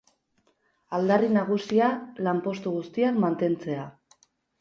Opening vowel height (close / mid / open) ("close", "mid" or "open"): open